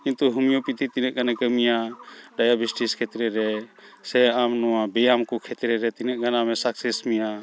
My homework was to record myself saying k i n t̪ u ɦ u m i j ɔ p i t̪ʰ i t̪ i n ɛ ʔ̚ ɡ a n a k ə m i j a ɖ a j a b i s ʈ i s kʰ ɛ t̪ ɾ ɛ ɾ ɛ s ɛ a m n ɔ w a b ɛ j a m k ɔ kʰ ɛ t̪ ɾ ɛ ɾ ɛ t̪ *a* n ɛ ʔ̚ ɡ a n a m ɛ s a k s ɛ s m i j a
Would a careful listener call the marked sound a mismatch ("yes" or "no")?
yes